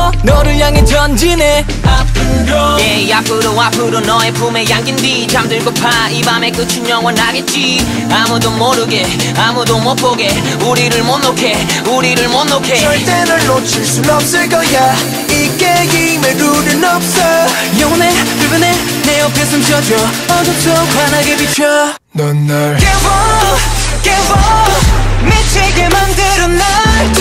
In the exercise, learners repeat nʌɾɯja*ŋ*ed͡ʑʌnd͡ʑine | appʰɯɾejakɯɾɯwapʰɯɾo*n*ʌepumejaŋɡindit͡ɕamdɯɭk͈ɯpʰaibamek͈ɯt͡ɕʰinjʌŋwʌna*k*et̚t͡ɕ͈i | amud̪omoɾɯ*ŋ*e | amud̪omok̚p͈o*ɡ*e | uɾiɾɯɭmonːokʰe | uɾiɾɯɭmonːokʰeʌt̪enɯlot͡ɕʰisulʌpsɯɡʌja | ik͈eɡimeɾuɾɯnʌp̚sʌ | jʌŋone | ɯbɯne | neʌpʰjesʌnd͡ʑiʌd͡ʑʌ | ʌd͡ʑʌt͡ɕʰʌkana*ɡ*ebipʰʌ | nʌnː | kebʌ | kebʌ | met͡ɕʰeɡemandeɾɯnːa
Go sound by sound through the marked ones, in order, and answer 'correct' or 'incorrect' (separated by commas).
correct, correct, incorrect, incorrect, correct, correct